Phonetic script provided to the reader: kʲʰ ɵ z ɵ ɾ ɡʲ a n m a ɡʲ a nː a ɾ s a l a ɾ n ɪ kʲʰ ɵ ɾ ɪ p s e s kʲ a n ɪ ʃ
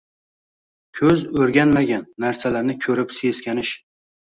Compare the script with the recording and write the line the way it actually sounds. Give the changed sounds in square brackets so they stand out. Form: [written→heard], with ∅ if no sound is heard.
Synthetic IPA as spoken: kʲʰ ɵ z ɵ ɾ ɡʲ a n m a ɡʲ a nː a ɾ s a l a ɾ n ɪ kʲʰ ɵ ɾ ɪ p s e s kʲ a n ɪ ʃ